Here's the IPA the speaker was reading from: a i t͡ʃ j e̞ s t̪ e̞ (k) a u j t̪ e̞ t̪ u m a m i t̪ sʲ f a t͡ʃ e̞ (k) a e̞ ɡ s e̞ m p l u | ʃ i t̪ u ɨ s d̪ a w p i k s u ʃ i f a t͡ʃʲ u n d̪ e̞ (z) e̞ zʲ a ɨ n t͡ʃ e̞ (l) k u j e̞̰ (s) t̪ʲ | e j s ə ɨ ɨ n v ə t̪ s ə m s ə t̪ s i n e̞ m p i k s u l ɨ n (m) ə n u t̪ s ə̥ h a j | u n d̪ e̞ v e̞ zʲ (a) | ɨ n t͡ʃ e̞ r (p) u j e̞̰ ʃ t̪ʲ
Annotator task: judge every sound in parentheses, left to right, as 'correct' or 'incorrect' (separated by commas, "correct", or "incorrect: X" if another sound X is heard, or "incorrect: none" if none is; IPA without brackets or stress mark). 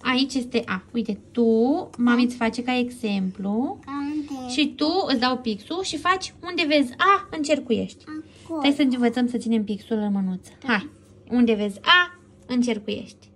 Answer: incorrect: ʔ, correct, incorrect: v, incorrect: r, incorrect: ʃ, correct, correct, incorrect: k